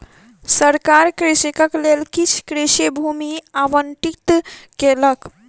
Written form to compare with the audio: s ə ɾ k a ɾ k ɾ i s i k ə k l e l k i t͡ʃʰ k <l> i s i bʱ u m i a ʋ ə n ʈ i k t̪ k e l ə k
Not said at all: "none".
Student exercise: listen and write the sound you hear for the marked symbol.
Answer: ɾ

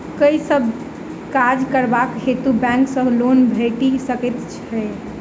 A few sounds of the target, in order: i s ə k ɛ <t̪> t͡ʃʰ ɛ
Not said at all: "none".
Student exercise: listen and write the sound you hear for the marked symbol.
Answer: t̪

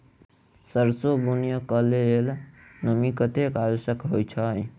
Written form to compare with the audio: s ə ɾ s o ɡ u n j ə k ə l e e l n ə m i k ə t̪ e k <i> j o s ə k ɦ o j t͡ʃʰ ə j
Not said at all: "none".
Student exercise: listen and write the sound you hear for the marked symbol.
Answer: a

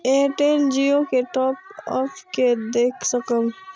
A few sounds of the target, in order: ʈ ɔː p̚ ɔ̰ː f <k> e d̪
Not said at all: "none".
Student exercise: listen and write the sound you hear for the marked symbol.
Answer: k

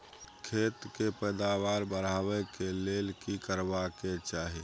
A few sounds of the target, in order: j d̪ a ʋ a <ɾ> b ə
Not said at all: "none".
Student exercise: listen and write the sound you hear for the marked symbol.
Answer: ɾ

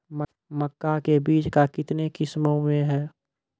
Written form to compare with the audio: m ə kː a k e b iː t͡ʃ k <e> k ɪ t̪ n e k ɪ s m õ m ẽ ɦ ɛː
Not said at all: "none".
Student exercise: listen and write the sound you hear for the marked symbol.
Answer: a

